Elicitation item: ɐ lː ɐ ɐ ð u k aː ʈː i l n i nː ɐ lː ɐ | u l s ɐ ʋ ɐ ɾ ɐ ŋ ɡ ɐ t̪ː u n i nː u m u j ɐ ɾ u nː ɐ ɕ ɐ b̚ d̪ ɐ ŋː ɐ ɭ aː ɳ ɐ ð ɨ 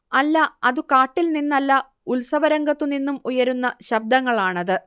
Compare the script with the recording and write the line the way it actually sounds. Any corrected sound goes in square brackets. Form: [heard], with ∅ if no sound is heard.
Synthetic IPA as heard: ɐ lː ɐ ɐ ð u k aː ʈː i l n i nː ɐ lː ɐ | u l s ɐ ʋ ɐ ɾ ɐ ŋ ɡ ɐ t̪ː u n i nː u m u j ɐ ɾ u nː ɐ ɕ ɐ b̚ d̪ ɐ ŋː ɐ ɭ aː ɳ ɐ ð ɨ